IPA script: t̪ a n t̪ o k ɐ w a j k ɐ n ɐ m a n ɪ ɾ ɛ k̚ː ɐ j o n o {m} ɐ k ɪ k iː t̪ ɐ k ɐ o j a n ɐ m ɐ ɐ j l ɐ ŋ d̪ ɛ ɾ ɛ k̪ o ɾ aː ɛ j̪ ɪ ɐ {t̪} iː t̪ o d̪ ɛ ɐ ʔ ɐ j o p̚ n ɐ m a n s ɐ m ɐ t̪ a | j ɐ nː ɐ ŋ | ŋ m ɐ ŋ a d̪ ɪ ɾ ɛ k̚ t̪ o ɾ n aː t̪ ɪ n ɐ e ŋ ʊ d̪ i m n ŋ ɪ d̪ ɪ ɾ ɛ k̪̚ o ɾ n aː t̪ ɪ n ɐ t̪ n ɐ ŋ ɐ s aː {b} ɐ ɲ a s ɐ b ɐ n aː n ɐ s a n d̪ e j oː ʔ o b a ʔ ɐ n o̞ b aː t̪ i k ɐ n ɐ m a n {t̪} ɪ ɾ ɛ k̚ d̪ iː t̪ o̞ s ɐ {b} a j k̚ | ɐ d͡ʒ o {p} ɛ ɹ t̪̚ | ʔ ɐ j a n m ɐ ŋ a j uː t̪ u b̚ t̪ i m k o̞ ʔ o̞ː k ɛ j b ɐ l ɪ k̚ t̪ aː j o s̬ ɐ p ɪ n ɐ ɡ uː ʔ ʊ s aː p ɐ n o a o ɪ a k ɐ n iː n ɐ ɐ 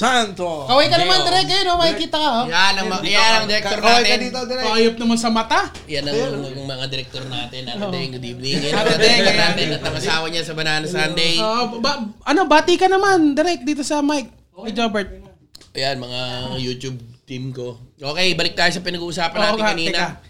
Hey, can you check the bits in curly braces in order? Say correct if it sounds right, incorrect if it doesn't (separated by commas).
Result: correct, incorrect, incorrect, incorrect, incorrect, incorrect